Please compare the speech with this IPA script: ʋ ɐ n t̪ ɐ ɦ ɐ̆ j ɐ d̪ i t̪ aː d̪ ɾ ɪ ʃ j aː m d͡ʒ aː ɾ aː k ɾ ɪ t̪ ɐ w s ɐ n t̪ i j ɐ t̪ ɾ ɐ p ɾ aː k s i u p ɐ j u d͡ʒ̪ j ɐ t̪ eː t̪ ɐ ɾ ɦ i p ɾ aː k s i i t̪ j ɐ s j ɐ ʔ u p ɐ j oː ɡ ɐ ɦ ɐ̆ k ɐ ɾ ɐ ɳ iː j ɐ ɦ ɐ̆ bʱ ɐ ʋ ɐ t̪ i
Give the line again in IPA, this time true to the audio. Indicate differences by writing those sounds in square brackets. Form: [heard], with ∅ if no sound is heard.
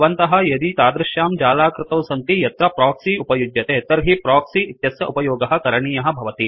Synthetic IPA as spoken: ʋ ɐ n t̪ ɐ ɦ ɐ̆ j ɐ d̪ i t̪ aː d̪ ɾ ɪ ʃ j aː m d͡ʒ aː [l] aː k ɾ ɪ t̪ ɐ w s ɐ n t̪ i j ɐ t̪ ɾ ɐ p ɾ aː k s i u p ɐ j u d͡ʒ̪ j ɐ t̪ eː t̪ ɐ ɾ ɦ i p ɾ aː k s i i t̪ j ɐ s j ɐ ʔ u p ɐ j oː ɡ ɐ ɦ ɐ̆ k ɐ ɾ ɐ ɳ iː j ɐ ɦ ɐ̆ bʱ ɐ ʋ ɐ t̪ i